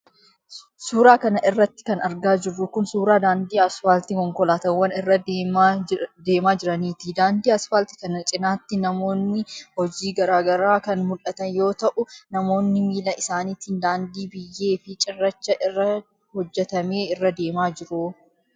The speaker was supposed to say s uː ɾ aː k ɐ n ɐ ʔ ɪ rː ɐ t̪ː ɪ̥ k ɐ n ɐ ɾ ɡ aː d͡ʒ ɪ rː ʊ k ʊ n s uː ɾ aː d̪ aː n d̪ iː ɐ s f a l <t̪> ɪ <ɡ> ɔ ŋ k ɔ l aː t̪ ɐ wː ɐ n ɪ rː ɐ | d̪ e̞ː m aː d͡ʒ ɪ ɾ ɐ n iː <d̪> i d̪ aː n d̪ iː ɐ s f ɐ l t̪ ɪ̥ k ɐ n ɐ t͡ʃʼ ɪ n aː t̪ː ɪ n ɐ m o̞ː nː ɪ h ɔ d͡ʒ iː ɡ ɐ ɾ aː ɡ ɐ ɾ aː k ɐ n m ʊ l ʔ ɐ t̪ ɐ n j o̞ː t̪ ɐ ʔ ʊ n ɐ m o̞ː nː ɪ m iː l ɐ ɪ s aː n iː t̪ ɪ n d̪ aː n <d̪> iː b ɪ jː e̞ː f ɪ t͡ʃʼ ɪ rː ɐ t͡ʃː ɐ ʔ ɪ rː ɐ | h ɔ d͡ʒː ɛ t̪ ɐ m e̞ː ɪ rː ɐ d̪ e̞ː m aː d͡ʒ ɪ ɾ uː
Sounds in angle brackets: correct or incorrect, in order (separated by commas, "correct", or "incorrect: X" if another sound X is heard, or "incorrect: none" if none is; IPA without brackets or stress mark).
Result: correct, incorrect: k, incorrect: t̪, correct